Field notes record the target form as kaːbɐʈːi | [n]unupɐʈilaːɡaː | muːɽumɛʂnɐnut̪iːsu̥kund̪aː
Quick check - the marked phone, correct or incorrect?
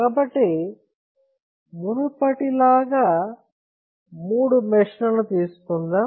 incorrect